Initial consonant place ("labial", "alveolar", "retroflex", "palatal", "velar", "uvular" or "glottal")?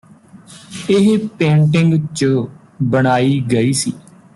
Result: glottal